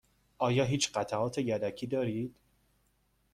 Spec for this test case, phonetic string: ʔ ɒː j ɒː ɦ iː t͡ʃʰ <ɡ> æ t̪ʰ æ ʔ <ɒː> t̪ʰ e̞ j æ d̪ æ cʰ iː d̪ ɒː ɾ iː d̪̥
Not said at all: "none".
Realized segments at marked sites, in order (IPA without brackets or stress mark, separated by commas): ɢ, ɒː